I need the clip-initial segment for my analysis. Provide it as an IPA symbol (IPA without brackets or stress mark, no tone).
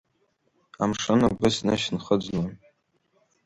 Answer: a